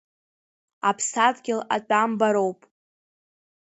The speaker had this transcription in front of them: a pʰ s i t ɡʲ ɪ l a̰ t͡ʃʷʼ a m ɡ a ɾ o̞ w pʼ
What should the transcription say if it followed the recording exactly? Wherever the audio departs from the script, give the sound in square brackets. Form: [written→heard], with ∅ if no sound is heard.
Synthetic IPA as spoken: a pʰ s [i→a] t ɡʲ ɪ l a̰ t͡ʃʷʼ a m [ɡ→b] a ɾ o̞ w pʼ